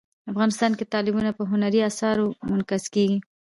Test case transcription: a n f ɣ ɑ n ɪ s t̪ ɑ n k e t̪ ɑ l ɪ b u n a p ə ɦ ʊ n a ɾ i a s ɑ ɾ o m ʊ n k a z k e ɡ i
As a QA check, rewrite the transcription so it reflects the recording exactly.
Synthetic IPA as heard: a f ɣ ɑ n ɪ s t̪ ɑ n k e t̪ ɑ l ɪ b u n a p ə ɦ ʊ n a ɾ i a s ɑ ɾ o m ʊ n k a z k e ɡ i